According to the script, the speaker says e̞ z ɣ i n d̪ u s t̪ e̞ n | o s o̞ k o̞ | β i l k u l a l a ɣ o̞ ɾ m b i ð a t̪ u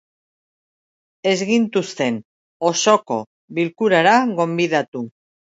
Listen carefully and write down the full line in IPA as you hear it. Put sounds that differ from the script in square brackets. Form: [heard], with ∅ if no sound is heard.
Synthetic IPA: e̞ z ɣ i n [t̪] u s t̪ e̞ n | o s o̞ k o̞ | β i l k u [ɾ] a [ɾ] a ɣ o̞ [∅] m b i ð a t̪ u